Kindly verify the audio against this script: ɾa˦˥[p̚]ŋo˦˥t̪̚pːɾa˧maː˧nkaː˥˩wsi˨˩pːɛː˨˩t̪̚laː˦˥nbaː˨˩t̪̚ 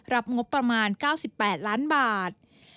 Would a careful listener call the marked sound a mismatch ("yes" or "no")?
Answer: no